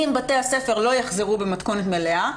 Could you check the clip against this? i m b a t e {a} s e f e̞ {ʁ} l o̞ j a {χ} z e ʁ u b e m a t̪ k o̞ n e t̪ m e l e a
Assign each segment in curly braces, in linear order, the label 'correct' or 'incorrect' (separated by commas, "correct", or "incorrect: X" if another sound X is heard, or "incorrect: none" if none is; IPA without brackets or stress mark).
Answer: correct, correct, correct